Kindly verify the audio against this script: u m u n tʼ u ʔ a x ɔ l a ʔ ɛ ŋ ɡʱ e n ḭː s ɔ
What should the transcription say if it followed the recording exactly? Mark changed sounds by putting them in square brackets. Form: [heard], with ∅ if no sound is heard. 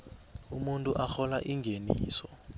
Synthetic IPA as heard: u m u n tʼ u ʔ a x ɔ l a ʔ [i] ŋ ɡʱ e n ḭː s ɔ